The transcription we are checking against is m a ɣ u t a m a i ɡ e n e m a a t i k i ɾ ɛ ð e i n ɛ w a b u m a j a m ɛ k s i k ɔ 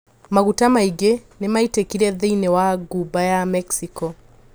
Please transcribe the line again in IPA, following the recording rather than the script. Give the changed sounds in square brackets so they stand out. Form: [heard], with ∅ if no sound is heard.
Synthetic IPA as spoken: m a ɣ u t a m a i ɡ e n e m a [i] t [e] k i ɾ ɛ ð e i n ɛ w a [ɡ] u [b] a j a m ɛ k s i k ɔ

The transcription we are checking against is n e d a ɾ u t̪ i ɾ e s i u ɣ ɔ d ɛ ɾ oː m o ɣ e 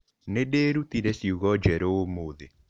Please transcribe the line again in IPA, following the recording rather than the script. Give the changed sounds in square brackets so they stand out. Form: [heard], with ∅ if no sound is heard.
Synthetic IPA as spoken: n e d [e] ɾ u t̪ i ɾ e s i u ɣ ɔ [d͡ʒ] ɛ ɾ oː m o [ð] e

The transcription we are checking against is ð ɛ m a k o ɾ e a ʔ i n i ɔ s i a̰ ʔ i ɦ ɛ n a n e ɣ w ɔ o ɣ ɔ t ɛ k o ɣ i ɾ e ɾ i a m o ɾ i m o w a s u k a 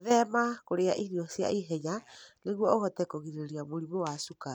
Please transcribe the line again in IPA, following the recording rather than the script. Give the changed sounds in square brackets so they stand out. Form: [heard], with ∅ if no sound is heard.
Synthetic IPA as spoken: ð ɛ m a k o ɾ e a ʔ i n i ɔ s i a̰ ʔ i ɦ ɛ [ɲ] a n e ɣ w ɔ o ɣ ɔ t ɛ k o ɣ i ɾ e ɾ i a m o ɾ i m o w a s u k a

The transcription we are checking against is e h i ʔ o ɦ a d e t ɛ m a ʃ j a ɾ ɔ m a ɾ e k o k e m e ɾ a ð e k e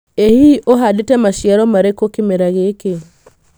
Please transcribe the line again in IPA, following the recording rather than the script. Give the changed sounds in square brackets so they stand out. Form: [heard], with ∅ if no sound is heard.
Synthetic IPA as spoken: e h i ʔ o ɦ a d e t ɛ m a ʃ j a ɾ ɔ m a ɾ e k o k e m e ɾ a [ɣ] e k e

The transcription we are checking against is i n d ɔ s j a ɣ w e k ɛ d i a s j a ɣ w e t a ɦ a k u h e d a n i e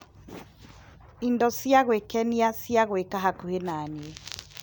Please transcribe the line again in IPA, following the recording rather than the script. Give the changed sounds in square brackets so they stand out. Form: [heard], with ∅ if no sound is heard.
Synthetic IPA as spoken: i n d ɔ s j a ɣ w e k ɛ [n] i a s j a ɣ w e [k] a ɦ a k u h e [n] a n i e

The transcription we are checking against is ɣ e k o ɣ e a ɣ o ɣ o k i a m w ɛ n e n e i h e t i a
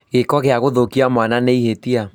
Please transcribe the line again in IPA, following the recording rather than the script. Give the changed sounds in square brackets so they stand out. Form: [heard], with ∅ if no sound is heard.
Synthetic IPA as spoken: ɣ e k [ɔ] ɣ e a ɣ o [ð] o k i a m w [a] n [a] n e i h e t i a

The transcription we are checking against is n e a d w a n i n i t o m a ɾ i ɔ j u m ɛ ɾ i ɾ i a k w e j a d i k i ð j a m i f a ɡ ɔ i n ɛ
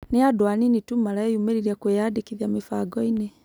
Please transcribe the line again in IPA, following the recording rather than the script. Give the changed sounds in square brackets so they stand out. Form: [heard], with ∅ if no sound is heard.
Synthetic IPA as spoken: n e a d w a n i n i t [u] m a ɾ [a] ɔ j u m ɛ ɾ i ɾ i a k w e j a d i k i ð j a m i f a ɡ ɔ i n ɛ

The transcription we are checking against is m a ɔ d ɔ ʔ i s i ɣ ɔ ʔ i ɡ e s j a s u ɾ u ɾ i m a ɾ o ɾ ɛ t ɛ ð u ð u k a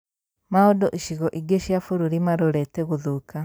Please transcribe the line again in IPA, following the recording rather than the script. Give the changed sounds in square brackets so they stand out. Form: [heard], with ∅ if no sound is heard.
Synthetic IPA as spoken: m a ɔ d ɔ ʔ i [ʃ] i ɣ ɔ ʔ i ɡ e [ʃ] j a [f] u ɾ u ɾ i m a ɾ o ɾ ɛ t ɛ [ɣ] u ð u k a

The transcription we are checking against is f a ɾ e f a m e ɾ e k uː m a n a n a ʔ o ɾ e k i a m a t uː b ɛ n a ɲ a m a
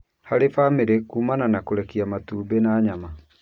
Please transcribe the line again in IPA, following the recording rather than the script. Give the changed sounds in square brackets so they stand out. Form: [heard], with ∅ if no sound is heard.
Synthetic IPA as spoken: [h] a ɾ e f a m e ɾ e k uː m a n a n a [k] o ɾ [ɛ] k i a m a t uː b [e] n a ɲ a m a

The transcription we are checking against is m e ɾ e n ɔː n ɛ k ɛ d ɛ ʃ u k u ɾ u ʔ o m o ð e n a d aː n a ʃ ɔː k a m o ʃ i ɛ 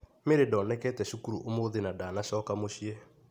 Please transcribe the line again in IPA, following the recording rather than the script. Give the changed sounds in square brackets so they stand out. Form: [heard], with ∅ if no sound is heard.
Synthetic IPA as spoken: m e ɾ e [d] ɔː n ɛ k ɛ [t] ɛ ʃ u k u ɾ u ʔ o m o ð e n a d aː n a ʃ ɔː k a m o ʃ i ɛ

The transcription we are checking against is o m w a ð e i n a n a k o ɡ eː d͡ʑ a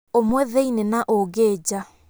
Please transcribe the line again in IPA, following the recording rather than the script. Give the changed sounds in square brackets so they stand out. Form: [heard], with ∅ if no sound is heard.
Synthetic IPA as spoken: o m w [ɛ] ð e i n [e] n a [ʔ] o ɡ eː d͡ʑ a

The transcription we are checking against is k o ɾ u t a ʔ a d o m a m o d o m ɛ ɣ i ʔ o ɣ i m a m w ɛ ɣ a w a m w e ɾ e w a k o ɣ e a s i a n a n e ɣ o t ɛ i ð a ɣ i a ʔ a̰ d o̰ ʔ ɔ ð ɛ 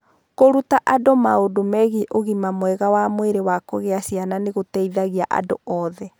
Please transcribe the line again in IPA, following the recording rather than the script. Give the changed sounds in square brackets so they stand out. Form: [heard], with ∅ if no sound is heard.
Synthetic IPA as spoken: k o ɾ u t a ʔ a d o m a [∅] o d o m ɛ ɣ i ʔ o ɣ i m a m w ɛ ɣ a w a m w e ɾ e w a k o ɣ e a s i a n a n e ɣ o t ɛ i ð a ɣ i a ʔ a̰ d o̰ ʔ ɔ ð ɛ

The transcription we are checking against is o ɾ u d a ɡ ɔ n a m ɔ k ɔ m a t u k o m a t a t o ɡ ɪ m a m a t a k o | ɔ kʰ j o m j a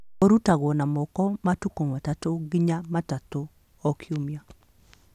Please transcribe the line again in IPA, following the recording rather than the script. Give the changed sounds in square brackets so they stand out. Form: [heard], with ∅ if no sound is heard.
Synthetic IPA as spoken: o ɾ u [t] a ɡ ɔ n a m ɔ k ɔ m a t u k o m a t a t o ɡ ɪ [ɲ] a m a t a [t] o | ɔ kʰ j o m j a

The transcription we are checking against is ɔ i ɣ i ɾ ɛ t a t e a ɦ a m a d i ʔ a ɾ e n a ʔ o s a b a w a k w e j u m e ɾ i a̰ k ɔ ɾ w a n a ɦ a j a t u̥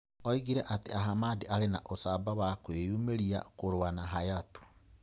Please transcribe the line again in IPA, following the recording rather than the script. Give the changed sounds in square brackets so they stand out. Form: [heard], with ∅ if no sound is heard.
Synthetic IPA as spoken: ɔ i ɣ i ɾ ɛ [ʔ] a t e a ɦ a m a d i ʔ a ɾ e n a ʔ o s a b a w a k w e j u m e ɾ i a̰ k [o] ɾ w a n a ɦ a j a t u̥

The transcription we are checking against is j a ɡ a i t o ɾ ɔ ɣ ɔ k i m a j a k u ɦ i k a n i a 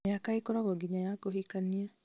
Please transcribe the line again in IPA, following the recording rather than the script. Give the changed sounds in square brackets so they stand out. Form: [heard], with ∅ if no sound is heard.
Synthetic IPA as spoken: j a [k] a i [k] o ɾ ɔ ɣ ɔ [ɡ] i [ɲ] a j a k [o] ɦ i k a n i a

